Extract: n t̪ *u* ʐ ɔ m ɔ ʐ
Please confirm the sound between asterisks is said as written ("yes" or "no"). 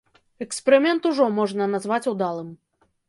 yes